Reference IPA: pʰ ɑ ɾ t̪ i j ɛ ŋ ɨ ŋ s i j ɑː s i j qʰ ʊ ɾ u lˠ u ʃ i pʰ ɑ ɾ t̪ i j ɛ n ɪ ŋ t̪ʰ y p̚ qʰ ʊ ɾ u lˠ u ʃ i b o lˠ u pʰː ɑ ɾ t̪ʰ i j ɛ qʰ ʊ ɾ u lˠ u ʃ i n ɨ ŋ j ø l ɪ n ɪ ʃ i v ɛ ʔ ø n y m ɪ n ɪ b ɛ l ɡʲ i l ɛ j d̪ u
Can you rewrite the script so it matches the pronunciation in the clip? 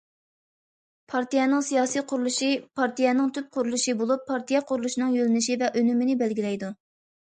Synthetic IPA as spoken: pʰ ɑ ɾ t̪ i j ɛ n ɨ ŋ s i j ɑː s i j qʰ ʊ ɾ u lˠ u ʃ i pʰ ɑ ɾ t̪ i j ɛ n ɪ ŋ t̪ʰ y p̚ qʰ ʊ ɾ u lˠ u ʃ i b o lˠ u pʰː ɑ ɾ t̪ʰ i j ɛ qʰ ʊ ɾ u lˠ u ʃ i n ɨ ŋ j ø l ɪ n ɪ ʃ i v ɛ ʔ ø n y m ɪ n ɪ b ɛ l ɡʲ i l ɛ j d̪ u